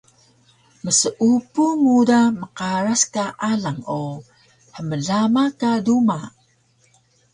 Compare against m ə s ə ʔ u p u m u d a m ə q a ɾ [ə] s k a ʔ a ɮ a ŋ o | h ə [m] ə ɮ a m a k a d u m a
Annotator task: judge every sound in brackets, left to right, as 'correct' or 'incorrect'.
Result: incorrect, correct

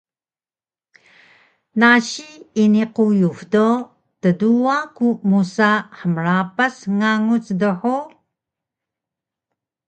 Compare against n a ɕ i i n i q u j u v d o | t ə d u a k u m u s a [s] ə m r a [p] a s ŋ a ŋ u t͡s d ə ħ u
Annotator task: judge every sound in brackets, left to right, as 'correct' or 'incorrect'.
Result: incorrect, correct

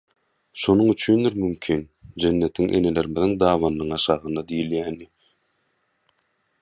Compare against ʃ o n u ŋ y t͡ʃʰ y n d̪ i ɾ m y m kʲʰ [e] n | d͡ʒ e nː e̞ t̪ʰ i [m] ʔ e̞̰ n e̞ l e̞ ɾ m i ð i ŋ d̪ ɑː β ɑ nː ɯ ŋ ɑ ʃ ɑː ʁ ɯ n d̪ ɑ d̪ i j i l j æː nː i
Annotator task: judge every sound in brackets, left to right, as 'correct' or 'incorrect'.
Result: incorrect, incorrect

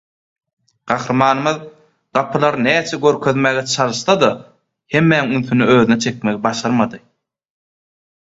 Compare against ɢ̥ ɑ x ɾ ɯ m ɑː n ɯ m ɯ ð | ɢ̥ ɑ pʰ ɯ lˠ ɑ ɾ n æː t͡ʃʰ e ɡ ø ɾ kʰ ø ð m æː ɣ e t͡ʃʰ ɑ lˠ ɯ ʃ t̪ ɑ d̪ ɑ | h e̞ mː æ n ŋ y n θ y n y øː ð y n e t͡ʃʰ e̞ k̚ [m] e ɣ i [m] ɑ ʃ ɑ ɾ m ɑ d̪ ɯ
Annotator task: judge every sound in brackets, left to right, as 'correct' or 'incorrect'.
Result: correct, incorrect

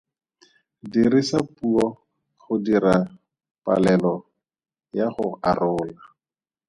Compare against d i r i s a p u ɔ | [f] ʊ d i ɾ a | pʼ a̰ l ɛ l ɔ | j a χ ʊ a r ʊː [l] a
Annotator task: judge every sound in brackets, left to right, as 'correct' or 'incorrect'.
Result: incorrect, correct

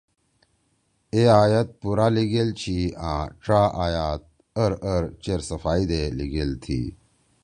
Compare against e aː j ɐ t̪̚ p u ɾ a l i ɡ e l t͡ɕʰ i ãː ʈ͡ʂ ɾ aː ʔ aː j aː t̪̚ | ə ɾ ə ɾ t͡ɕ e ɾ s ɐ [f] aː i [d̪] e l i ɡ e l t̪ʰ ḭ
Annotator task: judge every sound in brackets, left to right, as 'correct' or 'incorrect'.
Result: correct, correct

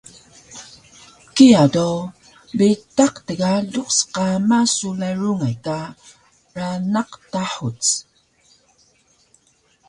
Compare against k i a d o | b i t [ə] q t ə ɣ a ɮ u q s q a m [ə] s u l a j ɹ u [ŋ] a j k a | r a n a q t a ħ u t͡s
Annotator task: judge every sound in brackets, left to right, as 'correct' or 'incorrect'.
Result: incorrect, incorrect, correct

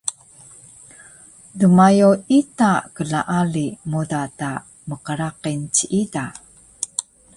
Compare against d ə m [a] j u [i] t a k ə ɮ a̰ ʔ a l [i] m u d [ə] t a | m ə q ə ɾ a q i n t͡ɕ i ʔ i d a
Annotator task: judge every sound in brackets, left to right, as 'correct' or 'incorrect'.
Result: correct, correct, correct, incorrect

